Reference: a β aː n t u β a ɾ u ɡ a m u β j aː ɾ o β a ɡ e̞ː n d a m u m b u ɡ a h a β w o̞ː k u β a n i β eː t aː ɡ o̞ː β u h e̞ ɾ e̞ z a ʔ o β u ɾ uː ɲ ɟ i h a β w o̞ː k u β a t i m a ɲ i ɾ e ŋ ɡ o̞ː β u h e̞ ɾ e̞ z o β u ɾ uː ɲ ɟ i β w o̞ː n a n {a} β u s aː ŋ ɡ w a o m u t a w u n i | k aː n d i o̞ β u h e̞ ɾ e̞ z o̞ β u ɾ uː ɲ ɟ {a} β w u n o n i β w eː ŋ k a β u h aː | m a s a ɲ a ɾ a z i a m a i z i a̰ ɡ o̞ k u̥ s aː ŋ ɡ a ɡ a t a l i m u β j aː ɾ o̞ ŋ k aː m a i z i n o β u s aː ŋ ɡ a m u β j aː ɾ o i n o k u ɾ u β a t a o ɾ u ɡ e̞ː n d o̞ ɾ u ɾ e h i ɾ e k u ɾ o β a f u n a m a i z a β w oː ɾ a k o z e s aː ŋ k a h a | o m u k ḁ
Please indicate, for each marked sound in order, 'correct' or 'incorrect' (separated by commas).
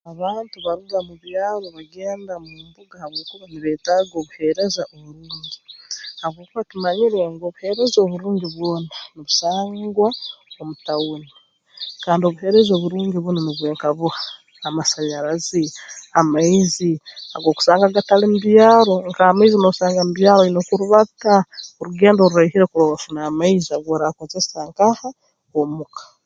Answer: incorrect, incorrect